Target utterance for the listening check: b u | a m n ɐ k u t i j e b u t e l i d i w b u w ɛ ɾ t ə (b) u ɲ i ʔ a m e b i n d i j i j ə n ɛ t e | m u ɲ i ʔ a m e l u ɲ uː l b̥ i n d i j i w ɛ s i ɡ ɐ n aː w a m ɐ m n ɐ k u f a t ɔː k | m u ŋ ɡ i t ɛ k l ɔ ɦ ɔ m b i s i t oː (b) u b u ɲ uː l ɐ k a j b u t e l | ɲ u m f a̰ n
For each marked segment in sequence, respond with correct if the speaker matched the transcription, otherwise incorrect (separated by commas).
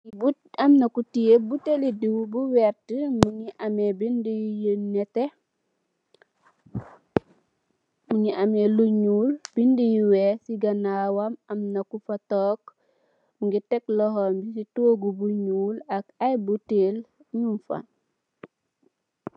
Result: incorrect, incorrect